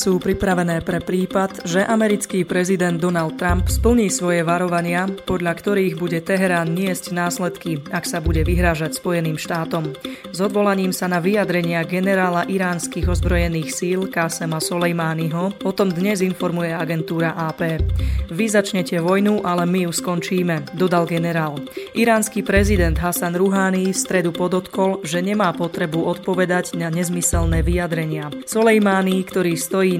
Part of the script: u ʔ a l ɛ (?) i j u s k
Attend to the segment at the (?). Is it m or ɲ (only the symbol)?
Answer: m